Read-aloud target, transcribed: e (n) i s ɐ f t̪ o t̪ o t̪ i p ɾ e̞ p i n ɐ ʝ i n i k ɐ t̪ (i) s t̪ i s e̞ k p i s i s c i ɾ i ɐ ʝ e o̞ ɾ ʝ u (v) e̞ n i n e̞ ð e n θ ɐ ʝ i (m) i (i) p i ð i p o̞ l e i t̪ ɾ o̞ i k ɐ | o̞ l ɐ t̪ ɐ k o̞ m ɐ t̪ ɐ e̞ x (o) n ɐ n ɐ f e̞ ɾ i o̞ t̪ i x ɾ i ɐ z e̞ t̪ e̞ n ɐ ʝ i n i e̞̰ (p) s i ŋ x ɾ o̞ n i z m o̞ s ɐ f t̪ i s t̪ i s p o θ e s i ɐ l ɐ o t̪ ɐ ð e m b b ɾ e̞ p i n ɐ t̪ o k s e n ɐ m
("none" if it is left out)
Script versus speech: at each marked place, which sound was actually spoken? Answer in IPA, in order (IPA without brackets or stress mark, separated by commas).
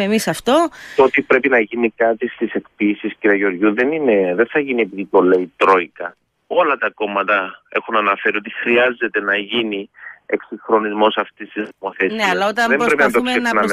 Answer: m, i, ð, n, e, u, k